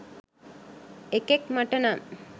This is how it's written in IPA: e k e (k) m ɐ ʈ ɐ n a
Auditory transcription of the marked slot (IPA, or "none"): k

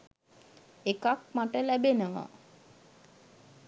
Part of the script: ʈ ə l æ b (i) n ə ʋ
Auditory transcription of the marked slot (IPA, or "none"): e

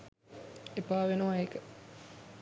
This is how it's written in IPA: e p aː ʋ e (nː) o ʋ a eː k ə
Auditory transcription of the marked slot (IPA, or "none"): n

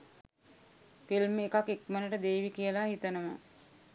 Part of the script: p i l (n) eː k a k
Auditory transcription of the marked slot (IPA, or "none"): m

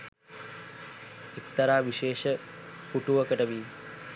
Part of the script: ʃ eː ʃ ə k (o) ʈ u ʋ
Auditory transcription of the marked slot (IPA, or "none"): u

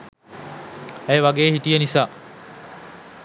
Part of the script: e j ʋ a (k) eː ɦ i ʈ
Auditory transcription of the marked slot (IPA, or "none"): ɡ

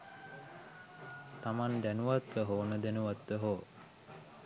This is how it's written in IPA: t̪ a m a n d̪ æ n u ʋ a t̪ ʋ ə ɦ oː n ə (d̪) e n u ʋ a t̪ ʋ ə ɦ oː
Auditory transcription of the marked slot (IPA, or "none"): d̪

